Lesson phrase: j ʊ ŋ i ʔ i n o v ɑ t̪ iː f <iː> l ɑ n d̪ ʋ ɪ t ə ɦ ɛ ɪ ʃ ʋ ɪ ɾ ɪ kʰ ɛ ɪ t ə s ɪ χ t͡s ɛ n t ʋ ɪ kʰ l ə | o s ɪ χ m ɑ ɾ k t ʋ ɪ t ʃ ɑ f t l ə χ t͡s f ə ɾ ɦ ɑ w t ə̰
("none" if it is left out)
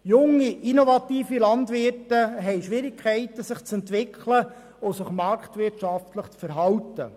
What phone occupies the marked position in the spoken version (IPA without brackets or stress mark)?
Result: i